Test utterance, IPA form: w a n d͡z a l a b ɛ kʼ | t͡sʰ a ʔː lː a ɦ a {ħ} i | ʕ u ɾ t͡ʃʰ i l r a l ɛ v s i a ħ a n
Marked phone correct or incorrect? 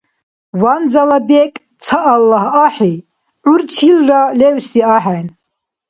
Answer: correct